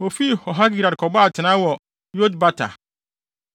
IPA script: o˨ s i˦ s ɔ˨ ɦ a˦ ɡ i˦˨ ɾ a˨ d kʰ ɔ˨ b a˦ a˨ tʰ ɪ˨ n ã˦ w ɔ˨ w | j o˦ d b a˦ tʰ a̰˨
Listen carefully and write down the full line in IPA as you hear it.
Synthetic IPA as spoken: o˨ f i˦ h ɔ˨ ɦ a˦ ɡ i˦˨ ɾ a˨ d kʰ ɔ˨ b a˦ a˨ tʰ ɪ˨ n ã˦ w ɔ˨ | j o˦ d b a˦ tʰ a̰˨